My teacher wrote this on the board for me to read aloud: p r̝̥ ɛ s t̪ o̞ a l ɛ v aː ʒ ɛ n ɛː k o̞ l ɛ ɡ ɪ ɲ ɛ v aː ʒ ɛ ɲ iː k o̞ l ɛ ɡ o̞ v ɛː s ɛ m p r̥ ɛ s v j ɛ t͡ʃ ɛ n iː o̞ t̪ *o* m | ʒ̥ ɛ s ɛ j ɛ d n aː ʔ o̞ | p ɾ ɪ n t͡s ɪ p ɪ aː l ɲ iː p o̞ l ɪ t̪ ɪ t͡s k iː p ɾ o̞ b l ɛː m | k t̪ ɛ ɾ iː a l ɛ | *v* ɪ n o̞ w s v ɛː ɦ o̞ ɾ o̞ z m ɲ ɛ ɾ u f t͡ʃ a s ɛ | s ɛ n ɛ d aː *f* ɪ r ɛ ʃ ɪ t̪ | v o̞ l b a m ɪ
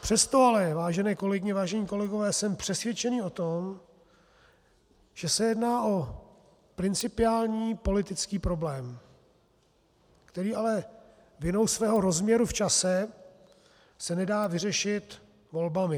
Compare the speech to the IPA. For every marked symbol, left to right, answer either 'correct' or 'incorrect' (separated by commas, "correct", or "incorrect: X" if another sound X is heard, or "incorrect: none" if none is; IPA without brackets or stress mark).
correct, correct, incorrect: v